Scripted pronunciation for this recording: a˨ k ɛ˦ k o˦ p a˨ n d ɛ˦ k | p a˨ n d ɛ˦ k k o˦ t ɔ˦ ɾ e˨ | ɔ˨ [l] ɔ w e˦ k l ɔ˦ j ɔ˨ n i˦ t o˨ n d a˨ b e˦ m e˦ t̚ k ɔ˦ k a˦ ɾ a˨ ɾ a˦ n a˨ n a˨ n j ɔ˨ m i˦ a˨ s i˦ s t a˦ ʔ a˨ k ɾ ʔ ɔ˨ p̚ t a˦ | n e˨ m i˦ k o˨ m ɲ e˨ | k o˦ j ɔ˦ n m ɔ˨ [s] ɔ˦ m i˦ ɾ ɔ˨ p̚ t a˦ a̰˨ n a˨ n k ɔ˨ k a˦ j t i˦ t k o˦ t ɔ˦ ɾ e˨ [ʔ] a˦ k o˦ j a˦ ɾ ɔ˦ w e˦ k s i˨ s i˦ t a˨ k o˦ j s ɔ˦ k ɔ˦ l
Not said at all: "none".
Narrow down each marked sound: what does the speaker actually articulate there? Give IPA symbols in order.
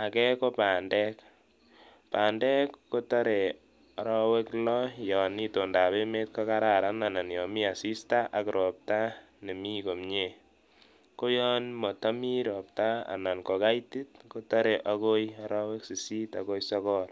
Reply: ɾ, t, ʔ

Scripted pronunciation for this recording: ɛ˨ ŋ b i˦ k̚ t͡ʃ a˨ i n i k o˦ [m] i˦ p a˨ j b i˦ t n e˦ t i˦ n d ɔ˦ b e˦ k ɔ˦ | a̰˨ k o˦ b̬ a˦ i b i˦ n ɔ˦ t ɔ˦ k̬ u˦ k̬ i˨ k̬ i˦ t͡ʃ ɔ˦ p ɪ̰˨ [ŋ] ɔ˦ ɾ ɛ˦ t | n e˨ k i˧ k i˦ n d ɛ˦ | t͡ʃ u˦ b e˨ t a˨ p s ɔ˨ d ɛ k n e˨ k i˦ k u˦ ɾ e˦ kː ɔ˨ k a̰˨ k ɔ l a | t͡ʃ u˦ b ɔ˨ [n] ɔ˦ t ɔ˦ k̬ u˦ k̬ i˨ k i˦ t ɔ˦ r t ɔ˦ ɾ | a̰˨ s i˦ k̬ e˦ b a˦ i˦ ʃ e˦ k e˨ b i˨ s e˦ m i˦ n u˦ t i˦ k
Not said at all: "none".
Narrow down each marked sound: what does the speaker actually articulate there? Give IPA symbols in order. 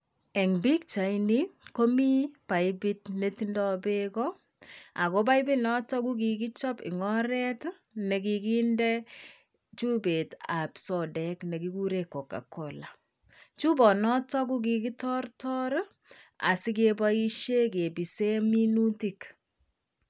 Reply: m, ŋ, n

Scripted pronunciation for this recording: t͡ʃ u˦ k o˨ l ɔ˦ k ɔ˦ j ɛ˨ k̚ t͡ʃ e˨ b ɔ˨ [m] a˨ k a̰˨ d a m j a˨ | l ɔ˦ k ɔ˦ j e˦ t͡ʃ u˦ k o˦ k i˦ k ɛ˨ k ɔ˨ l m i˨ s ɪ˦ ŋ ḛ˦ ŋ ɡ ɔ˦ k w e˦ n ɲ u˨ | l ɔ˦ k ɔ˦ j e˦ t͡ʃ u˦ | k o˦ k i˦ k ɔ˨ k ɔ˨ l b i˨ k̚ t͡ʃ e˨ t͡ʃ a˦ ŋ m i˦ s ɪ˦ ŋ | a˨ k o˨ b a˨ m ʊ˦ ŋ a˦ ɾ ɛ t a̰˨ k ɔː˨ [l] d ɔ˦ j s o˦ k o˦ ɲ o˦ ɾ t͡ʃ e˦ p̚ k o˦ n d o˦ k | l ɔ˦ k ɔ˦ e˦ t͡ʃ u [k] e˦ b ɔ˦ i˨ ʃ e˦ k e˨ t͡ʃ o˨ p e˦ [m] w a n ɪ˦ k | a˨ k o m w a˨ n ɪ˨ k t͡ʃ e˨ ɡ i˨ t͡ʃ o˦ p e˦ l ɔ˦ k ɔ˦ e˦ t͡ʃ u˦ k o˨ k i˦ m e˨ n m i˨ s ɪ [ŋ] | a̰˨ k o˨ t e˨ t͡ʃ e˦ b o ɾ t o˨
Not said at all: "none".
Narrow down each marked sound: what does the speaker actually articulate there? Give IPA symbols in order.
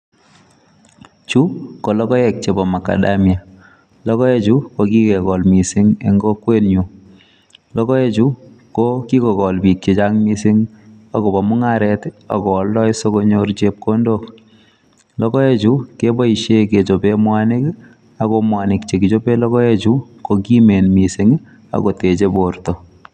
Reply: m, l, k, m, ŋ

